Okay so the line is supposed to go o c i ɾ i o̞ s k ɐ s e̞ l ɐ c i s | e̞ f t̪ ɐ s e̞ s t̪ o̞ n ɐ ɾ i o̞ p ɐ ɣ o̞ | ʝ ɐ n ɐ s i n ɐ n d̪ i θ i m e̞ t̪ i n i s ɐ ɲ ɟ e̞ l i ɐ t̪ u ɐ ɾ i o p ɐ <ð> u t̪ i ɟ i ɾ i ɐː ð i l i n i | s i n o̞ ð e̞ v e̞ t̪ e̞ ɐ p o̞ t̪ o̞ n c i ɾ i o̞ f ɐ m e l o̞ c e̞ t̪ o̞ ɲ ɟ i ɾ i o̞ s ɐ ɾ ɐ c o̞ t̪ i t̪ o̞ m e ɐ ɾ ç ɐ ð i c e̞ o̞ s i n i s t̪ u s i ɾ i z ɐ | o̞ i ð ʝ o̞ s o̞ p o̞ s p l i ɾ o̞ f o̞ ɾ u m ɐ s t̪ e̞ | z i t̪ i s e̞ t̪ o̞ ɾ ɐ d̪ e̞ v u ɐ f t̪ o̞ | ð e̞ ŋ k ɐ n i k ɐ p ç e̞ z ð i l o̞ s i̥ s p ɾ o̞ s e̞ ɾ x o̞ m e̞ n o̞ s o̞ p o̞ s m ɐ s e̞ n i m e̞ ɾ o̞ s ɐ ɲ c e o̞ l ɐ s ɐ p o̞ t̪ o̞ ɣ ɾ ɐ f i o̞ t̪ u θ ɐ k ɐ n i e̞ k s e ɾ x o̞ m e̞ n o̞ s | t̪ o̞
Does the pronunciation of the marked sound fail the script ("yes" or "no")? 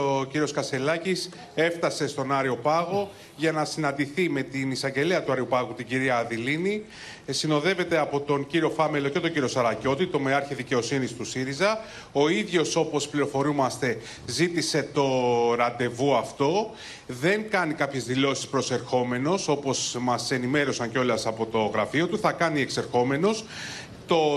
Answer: yes